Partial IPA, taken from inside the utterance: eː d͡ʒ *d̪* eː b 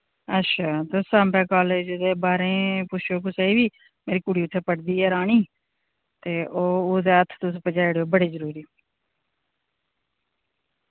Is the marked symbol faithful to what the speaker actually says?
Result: yes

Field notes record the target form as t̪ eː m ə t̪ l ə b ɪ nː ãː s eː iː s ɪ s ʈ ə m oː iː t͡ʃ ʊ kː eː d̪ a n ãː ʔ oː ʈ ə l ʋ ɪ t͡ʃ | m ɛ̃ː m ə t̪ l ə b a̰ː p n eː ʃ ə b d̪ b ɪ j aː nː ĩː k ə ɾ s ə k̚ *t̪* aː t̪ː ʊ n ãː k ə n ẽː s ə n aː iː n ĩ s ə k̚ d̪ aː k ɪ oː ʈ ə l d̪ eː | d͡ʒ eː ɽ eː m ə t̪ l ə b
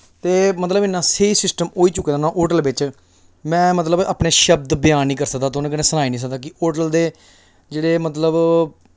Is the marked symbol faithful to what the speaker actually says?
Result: no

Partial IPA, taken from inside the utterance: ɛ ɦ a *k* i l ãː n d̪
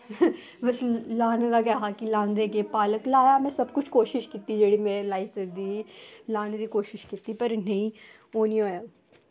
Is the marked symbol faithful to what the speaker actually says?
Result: yes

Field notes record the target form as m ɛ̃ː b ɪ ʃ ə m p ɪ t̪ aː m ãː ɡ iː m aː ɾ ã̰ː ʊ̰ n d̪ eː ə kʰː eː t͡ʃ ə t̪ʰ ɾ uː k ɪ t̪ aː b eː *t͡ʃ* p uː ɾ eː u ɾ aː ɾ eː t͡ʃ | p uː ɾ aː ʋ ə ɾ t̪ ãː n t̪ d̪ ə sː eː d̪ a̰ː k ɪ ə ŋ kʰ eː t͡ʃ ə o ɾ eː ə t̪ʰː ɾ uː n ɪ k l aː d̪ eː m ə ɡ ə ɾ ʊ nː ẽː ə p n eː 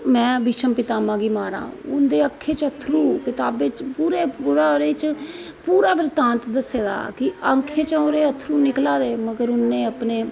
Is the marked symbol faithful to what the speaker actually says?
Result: yes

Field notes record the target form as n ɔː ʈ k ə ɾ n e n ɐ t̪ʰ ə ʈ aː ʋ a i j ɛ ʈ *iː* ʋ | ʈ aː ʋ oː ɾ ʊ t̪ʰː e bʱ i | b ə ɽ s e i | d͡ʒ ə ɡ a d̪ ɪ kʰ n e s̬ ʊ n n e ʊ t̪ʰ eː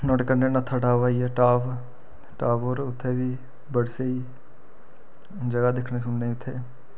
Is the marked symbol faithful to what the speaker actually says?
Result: no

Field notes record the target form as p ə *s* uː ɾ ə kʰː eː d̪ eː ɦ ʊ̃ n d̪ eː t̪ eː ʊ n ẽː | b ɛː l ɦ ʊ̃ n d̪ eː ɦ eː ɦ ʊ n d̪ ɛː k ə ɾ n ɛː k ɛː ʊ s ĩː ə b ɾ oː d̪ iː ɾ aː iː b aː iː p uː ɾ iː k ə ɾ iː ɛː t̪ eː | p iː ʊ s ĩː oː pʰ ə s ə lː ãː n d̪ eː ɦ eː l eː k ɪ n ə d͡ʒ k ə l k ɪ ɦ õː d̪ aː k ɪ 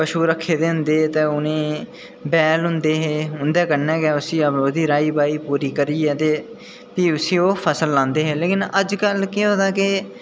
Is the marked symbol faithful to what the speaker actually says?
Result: no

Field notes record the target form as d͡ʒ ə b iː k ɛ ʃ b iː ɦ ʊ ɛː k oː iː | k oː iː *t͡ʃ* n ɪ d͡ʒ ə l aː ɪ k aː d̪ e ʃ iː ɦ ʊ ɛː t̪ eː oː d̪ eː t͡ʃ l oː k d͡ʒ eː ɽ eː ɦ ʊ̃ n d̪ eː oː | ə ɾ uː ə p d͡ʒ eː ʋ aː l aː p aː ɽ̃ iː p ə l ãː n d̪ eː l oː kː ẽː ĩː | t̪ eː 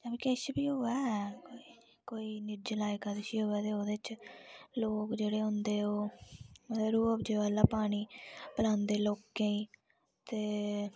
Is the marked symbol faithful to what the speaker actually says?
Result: no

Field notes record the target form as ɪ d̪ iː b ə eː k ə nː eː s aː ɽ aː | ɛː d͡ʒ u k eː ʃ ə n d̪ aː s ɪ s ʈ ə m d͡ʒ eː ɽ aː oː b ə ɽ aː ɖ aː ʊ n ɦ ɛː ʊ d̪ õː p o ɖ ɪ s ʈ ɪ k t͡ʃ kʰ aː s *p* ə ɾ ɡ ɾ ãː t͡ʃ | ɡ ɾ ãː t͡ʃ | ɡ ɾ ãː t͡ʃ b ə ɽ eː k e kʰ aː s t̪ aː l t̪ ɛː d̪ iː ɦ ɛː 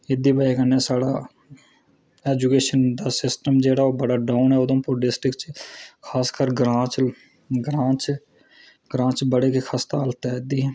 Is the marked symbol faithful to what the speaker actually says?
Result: no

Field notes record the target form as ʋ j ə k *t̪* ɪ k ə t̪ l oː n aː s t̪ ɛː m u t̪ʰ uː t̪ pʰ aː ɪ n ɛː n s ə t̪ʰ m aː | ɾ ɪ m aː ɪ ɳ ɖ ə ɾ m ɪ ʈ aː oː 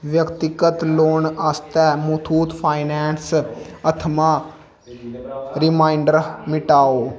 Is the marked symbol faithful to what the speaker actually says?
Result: yes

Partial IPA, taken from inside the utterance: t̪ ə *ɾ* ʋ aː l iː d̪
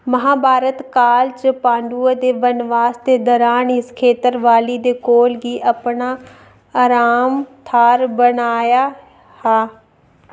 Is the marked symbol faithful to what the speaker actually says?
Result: yes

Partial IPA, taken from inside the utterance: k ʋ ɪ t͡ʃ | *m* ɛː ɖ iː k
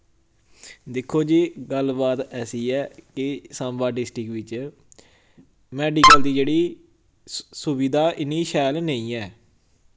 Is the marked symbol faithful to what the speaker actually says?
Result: yes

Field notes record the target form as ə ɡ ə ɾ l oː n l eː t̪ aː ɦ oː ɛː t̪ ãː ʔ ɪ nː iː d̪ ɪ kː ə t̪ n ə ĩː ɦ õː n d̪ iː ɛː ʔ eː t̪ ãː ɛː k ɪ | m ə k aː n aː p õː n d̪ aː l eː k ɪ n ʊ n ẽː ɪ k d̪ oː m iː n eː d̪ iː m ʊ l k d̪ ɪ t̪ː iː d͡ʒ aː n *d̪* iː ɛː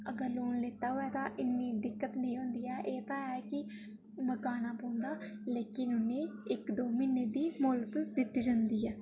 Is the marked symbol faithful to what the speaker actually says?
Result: yes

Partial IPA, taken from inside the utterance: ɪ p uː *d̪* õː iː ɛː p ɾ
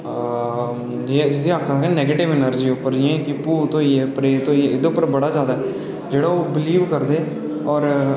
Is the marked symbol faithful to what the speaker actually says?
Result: no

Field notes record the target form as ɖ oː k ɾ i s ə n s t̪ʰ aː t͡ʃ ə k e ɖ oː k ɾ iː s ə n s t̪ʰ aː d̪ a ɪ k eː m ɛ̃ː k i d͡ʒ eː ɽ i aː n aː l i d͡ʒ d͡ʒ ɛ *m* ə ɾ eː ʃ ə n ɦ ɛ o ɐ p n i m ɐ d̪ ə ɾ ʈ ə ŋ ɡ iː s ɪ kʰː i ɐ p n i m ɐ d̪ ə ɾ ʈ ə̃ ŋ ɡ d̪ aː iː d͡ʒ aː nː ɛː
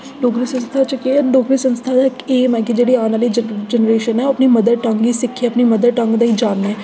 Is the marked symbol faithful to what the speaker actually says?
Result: no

